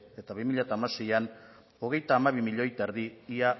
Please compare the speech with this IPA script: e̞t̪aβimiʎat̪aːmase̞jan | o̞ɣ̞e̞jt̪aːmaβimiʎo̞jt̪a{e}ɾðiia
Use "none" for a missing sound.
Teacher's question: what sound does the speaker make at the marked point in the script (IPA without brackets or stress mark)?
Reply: e